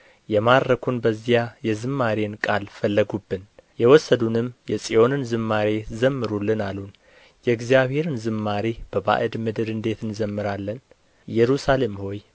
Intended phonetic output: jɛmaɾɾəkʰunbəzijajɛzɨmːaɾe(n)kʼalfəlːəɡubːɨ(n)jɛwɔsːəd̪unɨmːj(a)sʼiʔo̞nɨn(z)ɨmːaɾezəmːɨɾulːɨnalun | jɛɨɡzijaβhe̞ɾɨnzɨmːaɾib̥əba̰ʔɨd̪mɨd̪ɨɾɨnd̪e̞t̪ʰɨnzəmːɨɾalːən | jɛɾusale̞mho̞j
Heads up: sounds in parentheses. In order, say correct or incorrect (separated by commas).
correct, correct, incorrect, correct